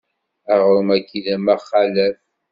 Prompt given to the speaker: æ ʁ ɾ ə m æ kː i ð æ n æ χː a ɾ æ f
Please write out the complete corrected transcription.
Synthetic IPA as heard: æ ʁ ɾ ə m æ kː i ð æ m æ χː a l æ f